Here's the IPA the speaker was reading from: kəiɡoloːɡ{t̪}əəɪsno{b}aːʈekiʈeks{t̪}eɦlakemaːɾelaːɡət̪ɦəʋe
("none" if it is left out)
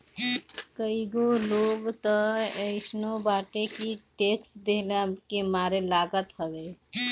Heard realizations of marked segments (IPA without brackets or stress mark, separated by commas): t̪, b, d̪